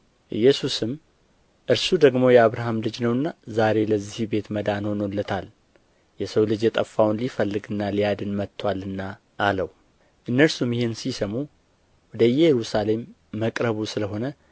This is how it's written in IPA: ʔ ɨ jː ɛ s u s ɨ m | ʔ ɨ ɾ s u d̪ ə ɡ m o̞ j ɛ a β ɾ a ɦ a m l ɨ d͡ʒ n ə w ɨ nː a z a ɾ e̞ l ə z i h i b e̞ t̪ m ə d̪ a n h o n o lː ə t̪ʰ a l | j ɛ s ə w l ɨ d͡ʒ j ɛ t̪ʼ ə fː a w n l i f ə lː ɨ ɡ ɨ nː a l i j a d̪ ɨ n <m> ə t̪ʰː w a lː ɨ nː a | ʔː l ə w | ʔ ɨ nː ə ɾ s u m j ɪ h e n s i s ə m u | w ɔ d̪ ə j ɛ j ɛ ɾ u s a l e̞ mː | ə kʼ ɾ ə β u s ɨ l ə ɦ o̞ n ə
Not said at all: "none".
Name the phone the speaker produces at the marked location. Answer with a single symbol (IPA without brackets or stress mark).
m